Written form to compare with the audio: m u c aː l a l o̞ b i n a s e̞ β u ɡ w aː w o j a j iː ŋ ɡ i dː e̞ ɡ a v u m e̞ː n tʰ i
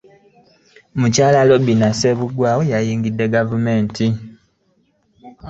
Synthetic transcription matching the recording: m u c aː l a l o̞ b i n a s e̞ β u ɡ w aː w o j a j iː ŋ ɡ i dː e̞ ɡ a v u m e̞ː n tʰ i